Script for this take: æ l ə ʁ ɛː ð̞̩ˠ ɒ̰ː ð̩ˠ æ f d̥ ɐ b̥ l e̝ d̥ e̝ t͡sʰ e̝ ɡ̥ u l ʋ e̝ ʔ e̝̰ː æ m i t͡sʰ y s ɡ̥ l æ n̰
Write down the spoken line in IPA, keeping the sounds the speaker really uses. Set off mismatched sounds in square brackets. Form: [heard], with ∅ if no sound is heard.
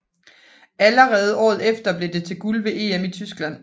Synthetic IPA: æ l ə ʁ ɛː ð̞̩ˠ ɒ̰ː ð̩ˠ [e] f d̥ ɐ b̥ l e̝ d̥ e̝ t͡sʰ e̝ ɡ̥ u l ʋ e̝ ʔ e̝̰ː [e] m i t͡sʰ y s ɡ̥ l æ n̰